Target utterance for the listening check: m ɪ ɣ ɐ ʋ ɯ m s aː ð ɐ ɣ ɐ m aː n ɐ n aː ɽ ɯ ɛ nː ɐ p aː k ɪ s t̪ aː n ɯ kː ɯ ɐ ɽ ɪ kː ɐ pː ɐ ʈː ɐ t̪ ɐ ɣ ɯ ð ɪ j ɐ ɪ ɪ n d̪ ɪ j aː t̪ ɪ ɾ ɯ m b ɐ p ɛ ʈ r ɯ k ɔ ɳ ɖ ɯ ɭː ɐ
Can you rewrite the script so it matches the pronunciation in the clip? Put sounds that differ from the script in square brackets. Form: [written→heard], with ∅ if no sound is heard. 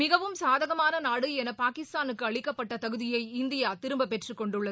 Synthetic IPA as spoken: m ɪ ɣ ɐ ʋ ɯ m s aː ð ɐ ɣ ɐ m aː n ɐ n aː ɽ ɯ ɛ [nː→n] ɐ p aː k ɪ s t̪ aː n ɯ kː ɯ ɐ [ɽ→ɭ] ɪ kː ɐ pː ɐ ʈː ɐ t̪ ɐ ɣ ɯ ð ɪ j ɐ ɪ ɪ n d̪ ɪ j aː t̪ ɪ ɾ ɯ m b ɐ p ɛ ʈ r ɯ k ɔ ɳ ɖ ɯ ɭː ɐ

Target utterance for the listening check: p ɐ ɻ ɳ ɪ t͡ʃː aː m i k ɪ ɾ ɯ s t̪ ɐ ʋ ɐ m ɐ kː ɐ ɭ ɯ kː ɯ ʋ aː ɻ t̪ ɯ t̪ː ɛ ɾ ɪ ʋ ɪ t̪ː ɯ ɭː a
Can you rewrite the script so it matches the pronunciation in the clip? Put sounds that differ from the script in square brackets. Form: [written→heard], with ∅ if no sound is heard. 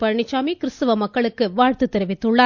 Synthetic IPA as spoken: p ɐ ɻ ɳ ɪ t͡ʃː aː m i k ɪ ɾ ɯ s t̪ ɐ ʋ ɐ m ɐ kː ɐ ɭ ɯ kː ɯ ʋ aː ɻ t̪ ɯ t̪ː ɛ ɾ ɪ ʋ ɪ t̪ː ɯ ɭː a

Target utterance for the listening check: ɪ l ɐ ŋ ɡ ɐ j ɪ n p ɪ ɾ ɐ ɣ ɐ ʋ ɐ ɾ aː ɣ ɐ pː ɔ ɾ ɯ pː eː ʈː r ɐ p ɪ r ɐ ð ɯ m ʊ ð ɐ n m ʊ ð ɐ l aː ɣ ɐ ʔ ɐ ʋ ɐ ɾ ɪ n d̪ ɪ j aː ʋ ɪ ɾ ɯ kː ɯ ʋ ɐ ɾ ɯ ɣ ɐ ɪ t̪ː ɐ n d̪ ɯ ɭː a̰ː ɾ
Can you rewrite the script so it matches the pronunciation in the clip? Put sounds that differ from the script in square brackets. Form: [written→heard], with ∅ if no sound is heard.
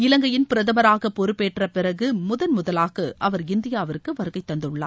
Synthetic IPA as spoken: ɪ l ɐ ŋ ɡ ɐ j ɪ n p ɪ ɾ ɐ [ɣ→ð] ɐ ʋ ɐ ɾ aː ɣ ɐ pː ɔ ɾ ɯ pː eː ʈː r ɐ p ɪ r ɐ [ð→ɣ] ɯ m ʊ ð ɐ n m ʊ ð ɐ l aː ɣ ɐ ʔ ɐ ʋ ɐ ɾ ɪ n d̪ ɪ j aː ʋ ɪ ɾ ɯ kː ɯ ʋ ɐ ɾ ɯ ɣ ɐ ɪ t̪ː ɐ n d̪ ɯ ɭː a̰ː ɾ

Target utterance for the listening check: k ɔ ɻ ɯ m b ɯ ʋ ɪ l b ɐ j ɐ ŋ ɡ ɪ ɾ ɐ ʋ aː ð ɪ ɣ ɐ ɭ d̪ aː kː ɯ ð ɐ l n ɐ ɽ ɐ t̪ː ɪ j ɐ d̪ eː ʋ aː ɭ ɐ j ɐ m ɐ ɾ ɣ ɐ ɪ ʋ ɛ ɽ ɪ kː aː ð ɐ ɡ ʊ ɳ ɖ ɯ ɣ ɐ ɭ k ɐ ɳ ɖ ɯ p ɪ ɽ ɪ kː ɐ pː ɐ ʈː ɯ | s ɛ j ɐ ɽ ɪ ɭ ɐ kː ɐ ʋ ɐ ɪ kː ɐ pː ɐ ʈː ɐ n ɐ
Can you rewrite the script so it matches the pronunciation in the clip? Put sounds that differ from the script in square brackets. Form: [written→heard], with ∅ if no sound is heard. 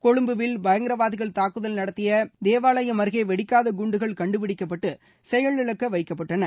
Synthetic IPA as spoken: k ɔ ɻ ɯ m b ɯ ʋ ɪ l b ɐ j ɐ ŋ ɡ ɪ ɾ ɐ ʋ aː ð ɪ ɣ ɐ ɭ [d̪→t̪] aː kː ɯ ð ɐ l n ɐ ɽ ɐ t̪ː ɪ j ɐ d̪ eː ʋ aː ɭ ɐ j ɐ m ɐ ɾ ɣ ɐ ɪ ʋ ɛ ɽ ɪ kː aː ð ɐ ɡ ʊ ɳ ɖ ɯ ɣ ɐ ɭ k ɐ ɳ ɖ ɯ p ɪ ɽ ɪ kː ɐ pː ɐ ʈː ɯ | s ɛ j ɐ [ɽ→ɭ] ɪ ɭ ɐ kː ɐ ʋ ɐ ɪ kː ɐ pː ɐ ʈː ɐ n ɐ

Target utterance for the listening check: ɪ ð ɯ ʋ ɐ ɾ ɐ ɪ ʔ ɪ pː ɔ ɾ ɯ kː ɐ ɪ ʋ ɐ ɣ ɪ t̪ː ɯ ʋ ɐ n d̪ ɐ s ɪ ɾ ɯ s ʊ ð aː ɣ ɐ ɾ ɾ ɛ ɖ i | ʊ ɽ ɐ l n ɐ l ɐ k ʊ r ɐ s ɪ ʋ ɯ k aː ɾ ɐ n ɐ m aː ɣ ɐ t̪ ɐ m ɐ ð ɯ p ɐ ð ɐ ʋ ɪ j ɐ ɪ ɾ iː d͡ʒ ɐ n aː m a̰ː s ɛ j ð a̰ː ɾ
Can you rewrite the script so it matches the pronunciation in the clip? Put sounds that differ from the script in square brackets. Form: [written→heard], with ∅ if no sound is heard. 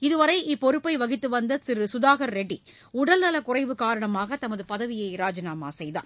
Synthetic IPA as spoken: ɪ ð ɯ ʋ ɐ ɾ ɐ ɪ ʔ ɪ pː ɔ ɾ ɯ [kː→pː] ɐ ɪ ʋ ɐ ɣ ɪ t̪ː ɯ ʋ ɐ n d̪ ɐ s ɪ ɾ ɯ s ʊ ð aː ɣ ɐ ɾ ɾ ɛ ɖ i | ʊ ɽ ɐ l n ɐ l ɐ k ʊ r ɐ [s→∅] ɪ ʋ ɯ k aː ɾ ɐ [n→ɳ] ɐ m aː ɣ ɐ t̪ ɐ m ɐ ð ɯ p ɐ ð ɐ ʋ ɪ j ɐ ɪ ɾ [iː→aː] d͡ʒ ɐ n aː m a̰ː s ɛ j ð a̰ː ɾ

